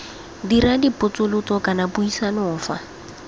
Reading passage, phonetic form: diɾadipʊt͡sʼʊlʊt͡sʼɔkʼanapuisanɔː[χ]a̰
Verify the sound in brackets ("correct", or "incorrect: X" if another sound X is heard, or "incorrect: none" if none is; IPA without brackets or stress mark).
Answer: incorrect: f